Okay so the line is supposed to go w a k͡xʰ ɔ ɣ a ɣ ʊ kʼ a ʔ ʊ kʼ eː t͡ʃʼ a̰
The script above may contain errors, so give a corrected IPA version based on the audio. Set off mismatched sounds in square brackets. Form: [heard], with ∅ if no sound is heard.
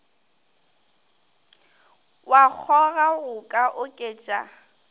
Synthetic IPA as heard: w a k͡xʰ ɔ ɣ a ɣ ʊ kʼ a ʔ ʊ kʼ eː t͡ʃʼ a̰